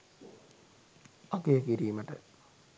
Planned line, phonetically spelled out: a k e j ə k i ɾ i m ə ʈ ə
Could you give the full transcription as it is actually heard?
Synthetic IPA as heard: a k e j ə k i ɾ iː m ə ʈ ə